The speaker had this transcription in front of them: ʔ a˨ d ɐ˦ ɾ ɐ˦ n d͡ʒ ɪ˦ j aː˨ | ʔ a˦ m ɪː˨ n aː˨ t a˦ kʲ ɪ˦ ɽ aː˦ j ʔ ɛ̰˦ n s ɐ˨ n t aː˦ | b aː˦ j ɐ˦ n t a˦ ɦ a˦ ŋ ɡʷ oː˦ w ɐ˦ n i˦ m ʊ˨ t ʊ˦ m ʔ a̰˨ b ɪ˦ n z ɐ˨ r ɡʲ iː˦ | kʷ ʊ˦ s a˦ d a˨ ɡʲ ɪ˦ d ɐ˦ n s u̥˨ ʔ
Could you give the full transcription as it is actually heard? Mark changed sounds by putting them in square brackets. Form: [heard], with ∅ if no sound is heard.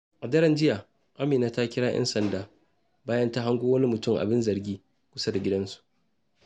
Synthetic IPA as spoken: ʔ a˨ d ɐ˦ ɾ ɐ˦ n d͡ʒ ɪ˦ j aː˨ | ʔ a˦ m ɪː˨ n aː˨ t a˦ kʲ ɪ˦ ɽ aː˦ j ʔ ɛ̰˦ n s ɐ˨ n [d] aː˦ | b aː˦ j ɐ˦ n t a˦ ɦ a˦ ŋ ɡʷ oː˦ w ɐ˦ n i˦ m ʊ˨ t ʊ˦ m ʔ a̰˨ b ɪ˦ n z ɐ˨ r ɡʲ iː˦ | kʷ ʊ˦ s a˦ d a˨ ɡʲ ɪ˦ d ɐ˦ n s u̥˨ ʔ

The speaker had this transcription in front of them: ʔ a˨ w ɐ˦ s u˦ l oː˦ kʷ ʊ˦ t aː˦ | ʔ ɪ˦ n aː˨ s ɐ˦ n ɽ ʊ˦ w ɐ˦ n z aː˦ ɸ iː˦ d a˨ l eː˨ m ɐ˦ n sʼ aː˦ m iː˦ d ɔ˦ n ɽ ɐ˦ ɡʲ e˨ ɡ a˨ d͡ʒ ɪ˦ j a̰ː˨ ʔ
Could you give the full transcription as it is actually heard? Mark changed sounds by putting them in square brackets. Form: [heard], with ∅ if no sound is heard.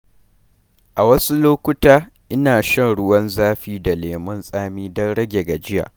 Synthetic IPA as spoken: ʔ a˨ w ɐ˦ s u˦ l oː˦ kʷ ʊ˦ t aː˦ | ʔ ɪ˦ n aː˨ [ʃ] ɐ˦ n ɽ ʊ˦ w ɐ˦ n z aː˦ ɸ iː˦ d a˨ l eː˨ m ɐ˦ n sʼ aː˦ m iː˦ d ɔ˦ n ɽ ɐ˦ ɡʲ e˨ ɡ a˨ d͡ʒ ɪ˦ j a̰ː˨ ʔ

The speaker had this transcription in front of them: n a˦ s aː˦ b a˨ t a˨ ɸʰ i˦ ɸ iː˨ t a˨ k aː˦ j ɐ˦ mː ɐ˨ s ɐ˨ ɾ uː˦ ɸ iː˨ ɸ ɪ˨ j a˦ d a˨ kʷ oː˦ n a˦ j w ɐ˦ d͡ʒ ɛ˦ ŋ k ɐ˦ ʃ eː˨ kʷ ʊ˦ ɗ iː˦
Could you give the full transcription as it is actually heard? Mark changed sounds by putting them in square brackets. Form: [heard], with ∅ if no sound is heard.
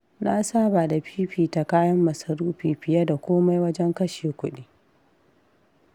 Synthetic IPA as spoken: n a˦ s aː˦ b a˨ [d] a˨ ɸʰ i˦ ɸ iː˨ t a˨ k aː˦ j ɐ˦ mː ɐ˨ s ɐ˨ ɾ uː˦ ɸ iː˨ ɸ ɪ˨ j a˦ d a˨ kʷ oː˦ [m] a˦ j w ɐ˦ d͡ʒ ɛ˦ ŋ k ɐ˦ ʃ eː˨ kʷ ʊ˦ ɗ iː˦

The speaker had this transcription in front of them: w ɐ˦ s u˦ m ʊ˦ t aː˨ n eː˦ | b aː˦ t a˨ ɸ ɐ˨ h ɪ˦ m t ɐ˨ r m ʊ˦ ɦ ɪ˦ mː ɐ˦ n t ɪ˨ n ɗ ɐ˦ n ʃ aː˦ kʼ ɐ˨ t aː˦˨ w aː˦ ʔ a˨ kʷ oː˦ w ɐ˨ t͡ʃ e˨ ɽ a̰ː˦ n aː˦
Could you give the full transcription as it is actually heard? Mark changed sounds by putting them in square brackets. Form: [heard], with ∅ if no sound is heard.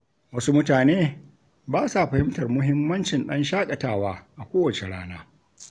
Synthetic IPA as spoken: w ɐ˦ s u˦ m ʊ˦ t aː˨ n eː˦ | b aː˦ [s] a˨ ɸ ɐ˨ h ɪ˦ m t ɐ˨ r m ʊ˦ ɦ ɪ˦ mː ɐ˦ n [t͡ʃ] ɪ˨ n ɗ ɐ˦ n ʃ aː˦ kʼ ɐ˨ t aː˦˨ w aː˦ ʔ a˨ kʷ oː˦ w ɐ˨ t͡ʃ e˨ ɽ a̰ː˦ n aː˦

